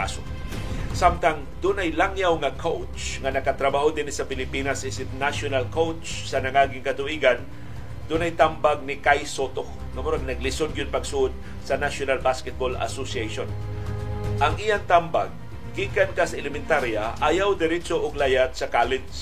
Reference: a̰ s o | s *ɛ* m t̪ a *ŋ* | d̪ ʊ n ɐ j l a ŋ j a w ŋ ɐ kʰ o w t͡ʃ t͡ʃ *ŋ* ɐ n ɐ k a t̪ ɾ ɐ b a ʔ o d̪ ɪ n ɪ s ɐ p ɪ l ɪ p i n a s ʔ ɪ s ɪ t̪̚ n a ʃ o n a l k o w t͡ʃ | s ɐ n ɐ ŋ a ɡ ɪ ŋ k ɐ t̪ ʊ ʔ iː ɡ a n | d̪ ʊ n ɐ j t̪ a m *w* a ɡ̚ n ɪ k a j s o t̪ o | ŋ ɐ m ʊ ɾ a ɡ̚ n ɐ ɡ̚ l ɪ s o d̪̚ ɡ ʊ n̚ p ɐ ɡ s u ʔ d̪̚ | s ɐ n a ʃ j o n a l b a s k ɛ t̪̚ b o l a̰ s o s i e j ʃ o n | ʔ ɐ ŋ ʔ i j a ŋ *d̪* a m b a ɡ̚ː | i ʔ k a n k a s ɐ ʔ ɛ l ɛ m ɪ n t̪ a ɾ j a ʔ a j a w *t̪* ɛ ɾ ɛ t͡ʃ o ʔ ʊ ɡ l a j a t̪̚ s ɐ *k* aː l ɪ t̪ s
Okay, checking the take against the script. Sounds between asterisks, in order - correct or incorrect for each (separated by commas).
incorrect, correct, correct, incorrect, incorrect, incorrect, correct